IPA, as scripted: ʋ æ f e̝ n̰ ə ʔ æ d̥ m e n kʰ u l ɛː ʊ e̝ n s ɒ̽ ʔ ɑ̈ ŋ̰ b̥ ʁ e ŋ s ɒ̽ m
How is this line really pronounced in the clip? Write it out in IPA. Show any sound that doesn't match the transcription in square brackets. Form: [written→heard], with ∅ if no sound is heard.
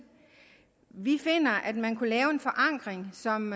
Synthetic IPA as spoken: ʋ [æ→i] f e̝ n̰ [ə→ɐ] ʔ æ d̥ m [e→æ] n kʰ u l ɛː ʊ e̝ n [s→f] ɒ̽ ʔ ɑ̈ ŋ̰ [b̥→ɡ̥] ʁ e ŋ s ɒ̽ m